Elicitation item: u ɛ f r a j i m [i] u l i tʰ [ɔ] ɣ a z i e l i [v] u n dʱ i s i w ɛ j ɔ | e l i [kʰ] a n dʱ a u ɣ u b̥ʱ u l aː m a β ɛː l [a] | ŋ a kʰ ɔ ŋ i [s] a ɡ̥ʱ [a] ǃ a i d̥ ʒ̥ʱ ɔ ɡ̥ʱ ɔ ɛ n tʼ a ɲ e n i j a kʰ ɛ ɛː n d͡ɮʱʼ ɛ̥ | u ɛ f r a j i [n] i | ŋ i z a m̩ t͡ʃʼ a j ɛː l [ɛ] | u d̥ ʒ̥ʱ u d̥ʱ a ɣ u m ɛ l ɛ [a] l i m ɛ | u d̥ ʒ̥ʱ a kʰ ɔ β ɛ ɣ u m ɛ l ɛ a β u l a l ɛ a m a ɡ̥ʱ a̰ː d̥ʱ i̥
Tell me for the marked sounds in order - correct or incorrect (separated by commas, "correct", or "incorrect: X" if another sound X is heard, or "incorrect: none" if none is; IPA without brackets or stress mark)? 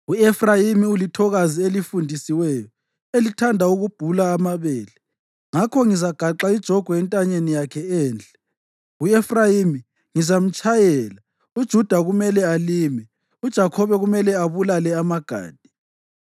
correct, correct, incorrect: f, incorrect: tʰ, incorrect: ɛ, incorrect: z, correct, incorrect: m, incorrect: a, correct